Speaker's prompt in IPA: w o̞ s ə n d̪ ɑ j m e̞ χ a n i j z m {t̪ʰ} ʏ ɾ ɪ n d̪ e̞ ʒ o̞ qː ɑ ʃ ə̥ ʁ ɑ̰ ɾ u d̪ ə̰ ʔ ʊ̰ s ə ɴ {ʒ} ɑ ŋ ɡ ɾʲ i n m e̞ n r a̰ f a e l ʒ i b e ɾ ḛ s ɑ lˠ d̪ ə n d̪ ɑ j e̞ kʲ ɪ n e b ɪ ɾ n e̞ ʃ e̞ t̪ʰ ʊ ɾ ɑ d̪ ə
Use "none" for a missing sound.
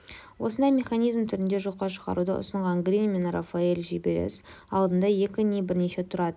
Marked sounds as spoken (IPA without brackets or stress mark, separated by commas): t̪ʰ, ʁ